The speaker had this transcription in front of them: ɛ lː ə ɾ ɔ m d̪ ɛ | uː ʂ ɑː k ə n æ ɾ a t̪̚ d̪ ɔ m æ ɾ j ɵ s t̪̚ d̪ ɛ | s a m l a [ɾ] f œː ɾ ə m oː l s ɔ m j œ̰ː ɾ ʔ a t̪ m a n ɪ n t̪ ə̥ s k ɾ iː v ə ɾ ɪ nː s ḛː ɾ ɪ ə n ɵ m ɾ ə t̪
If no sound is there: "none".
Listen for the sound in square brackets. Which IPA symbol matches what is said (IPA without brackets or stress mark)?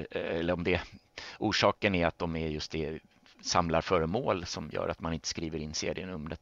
ɾ